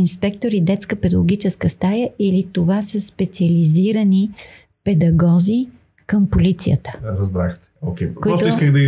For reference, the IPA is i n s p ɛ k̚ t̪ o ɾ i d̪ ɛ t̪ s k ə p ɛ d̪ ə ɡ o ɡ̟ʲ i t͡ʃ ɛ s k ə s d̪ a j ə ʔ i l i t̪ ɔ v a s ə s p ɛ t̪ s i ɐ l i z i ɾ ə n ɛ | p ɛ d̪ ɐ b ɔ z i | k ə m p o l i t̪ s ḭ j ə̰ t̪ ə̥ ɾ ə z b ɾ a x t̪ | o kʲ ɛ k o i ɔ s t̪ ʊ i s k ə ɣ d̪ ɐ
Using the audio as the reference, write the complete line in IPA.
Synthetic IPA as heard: i n s p ɛ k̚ t̪ o ɾ i d̪ ɛ t̪ s k ə p ɛ d̪ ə ɡ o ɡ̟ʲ i t͡ʃ ɛ s k ə s t̪ a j ə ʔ i l i t̪ o v a s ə s p ɛ t̪ s i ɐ l i z i ɾ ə n i | p ɛ d̪ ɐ ɡ ɔ z i | k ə m p o l i t̪ s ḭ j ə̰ t̪ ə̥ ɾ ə z b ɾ a x t̪ | o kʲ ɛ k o i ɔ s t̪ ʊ i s k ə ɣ d̪ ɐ